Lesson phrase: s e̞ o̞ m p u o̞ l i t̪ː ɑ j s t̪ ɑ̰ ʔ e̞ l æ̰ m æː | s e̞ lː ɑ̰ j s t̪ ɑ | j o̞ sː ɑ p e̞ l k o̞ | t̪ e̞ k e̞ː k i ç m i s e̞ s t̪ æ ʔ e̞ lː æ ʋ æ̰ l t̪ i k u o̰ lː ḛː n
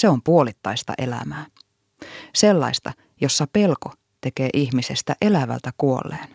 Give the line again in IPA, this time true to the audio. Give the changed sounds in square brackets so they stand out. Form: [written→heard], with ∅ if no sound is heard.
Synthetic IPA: s e̞ o̞ m p u o̞ l i t̪ː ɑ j s t̪ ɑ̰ ʔ e̞ l æ̰ m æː | s e̞ lː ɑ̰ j s t̪ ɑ | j o̞ sː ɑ p e̞ l k o̞ | t̪ e̞ k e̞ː [k→ʔ] i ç m i s e̞ s t̪ æ ʔ e̞ [lː→l] æ ʋ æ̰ l t̪ [i→æ] k u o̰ lː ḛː n